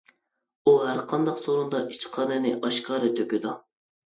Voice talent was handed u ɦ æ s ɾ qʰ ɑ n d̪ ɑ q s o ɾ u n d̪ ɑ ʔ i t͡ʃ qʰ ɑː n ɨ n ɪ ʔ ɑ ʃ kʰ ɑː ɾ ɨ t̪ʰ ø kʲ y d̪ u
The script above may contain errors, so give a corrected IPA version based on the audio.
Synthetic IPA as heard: u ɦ æ ɾ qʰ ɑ n d̪ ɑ q s o ɾ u n d̪ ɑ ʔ i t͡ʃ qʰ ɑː n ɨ n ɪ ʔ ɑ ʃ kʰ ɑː ɾ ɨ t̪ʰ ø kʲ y d̪ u